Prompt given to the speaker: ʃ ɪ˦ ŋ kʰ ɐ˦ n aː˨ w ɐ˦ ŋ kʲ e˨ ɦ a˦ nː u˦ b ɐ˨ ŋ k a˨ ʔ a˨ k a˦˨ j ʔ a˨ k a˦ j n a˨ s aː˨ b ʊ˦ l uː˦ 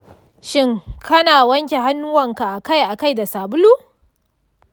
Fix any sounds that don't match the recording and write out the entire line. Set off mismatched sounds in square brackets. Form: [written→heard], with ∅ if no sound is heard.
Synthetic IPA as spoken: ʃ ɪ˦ ŋ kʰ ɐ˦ n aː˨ w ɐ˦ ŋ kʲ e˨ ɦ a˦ nː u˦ [b→w] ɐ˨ ŋ k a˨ ʔ a˨ k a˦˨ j ʔ a˨ k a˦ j [n→d] a˨ s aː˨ b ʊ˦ l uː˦

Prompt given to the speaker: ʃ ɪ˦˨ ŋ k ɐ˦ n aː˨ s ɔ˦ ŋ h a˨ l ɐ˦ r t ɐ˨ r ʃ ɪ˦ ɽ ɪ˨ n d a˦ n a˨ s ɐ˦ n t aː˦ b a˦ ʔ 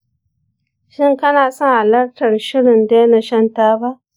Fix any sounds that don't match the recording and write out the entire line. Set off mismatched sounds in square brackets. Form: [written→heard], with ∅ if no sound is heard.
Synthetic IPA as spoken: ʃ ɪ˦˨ ŋ k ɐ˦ n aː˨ s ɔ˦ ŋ h a˨ l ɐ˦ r t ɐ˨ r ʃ ɪ˦ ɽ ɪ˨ n d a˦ n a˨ [s→ʃ] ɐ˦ n t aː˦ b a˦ ʔ

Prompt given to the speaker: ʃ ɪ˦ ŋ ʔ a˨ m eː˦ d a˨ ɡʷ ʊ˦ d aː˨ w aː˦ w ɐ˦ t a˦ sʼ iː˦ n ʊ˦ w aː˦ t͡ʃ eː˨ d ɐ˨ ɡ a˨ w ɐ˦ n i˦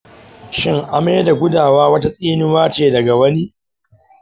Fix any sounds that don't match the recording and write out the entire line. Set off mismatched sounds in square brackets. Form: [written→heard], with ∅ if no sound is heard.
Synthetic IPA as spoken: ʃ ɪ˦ ŋ ʔ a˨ m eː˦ d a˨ ɡʷ ʊ˦ d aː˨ w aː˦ w ɐ˦ t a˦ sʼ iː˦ n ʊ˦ w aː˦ t͡ʃ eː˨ d ɐ˨ ɡ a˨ w ɐ˦ n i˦

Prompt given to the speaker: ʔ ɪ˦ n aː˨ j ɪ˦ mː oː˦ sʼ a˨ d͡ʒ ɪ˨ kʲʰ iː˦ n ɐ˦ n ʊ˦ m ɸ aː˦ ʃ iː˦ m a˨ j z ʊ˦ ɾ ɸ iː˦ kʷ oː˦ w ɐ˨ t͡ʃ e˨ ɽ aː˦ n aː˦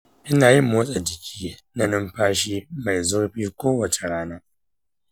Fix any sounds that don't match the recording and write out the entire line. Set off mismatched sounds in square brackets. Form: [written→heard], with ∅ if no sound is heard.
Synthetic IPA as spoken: ʔ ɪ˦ n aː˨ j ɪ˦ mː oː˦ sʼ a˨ d͡ʒ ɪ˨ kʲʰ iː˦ n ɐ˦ n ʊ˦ m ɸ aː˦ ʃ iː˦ m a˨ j z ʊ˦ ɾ ɸ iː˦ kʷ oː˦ w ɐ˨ t͡ʃ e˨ ɽ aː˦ n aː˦

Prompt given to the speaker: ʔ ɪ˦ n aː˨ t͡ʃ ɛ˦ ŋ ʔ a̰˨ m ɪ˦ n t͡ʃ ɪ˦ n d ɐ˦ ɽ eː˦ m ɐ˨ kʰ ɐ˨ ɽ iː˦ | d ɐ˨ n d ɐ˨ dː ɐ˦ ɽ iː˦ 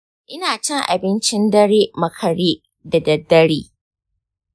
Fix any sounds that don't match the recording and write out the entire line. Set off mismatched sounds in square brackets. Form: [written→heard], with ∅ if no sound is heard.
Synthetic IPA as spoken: ʔ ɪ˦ n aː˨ t͡ʃ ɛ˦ ŋ ʔ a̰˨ [m→b] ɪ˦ n t͡ʃ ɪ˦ n d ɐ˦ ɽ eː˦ m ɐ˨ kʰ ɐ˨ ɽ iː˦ | d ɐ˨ [n→∅] d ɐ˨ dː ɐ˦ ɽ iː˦

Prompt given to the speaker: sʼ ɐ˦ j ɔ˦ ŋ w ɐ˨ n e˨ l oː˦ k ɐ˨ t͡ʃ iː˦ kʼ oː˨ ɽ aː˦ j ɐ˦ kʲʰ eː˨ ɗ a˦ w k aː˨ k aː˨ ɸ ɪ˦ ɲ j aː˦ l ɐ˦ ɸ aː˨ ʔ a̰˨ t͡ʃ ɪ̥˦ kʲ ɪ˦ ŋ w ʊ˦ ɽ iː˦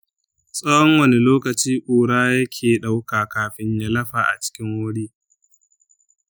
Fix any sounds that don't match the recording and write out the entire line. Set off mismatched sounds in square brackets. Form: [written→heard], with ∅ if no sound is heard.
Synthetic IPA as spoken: sʼ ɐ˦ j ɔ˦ ŋ w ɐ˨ n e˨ l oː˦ k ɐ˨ t͡ʃ iː˦ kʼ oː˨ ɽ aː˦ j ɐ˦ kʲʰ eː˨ ɗ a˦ w k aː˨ k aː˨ ɸ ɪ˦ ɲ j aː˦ l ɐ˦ ɸ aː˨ ʔ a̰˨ t͡ʃ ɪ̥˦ kʲ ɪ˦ ŋ w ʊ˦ ɽ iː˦

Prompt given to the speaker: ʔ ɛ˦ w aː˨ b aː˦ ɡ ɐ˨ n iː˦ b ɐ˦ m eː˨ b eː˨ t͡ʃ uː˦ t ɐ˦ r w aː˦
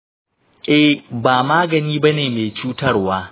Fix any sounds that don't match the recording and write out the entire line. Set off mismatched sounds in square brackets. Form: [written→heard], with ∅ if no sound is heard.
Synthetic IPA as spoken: ʔ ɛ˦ [w→b] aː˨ [b→m] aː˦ ɡ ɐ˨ n iː˦ b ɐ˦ [m→n] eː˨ [b→m] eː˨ t͡ʃ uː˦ t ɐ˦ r w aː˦

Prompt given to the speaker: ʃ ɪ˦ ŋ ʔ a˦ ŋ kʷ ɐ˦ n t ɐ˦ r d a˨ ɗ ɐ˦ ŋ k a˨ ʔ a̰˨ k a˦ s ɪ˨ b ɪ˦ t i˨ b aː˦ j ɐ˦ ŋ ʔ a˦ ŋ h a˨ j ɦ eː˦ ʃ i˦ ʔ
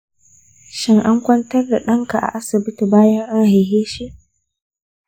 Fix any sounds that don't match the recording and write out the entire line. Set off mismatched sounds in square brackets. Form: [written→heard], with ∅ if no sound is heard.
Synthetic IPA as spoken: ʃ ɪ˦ ŋ ʔ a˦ ŋ kʷ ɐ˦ n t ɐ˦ r d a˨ ɗ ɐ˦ ŋ k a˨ ʔ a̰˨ [k→ʔ] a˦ s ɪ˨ b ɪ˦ t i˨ b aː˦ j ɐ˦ ŋ ʔ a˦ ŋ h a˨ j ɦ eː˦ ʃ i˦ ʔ

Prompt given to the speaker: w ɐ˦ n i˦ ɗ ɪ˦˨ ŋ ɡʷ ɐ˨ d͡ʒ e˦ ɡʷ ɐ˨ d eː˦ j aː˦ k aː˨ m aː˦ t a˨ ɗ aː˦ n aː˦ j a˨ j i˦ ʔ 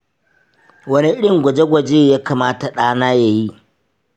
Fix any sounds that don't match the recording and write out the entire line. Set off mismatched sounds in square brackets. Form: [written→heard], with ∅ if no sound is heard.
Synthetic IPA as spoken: w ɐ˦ n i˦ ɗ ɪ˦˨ ŋ ɡʷ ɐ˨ d͡ʒ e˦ ɡʷ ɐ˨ [d→d͡ʒ] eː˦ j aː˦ k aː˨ m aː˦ t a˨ ɗ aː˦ n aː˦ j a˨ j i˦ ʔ

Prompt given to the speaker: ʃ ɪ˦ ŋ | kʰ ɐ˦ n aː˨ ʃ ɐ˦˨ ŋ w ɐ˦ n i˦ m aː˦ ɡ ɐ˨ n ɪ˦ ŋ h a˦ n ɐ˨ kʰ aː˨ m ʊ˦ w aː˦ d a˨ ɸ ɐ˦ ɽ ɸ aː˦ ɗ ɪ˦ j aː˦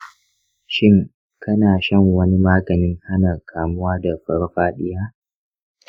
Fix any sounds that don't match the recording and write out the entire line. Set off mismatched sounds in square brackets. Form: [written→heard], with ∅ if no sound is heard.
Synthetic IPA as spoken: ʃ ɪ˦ ŋ | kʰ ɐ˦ n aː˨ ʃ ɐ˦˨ ŋ w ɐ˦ n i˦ m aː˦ ɡ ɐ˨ n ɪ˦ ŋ h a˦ n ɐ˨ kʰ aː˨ m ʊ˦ w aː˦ d a˨ ɸ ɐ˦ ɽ ɸ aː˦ ɗ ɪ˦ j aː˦

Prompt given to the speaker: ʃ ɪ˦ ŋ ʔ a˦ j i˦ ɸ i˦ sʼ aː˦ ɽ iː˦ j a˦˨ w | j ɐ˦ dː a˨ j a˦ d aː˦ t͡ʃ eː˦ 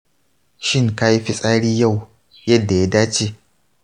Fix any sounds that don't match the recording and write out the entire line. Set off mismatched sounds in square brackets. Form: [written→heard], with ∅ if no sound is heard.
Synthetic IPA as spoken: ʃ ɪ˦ ŋ [ʔ→k] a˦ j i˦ ɸ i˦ sʼ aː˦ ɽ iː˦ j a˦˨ w | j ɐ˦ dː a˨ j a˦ d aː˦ t͡ʃ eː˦

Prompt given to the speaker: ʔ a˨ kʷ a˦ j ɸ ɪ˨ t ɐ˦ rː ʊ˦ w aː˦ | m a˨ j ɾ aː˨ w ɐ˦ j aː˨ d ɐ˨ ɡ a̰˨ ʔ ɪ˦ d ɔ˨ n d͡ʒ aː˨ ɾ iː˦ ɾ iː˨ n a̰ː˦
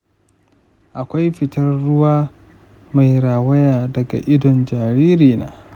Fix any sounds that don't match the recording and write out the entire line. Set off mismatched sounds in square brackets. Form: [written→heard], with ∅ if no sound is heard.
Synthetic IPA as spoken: ʔ a˨ kʷ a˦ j ɸ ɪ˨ t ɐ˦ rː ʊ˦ w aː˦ | m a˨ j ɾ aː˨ w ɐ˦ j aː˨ d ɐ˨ ɡ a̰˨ ʔ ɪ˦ d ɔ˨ n d͡ʒ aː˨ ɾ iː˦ ɾ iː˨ n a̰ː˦

